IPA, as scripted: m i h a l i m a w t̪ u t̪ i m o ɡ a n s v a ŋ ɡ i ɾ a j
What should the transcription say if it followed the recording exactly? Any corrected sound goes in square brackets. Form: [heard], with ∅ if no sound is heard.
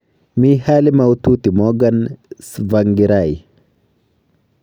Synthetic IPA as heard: m i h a l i m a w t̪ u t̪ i m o ɡ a n s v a ŋ ɡ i ɾ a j